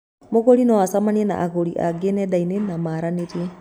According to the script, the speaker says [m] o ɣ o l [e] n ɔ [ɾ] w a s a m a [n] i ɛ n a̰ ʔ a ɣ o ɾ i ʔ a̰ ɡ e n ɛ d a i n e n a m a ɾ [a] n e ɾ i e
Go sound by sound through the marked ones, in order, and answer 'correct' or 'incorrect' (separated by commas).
correct, incorrect, incorrect, correct, correct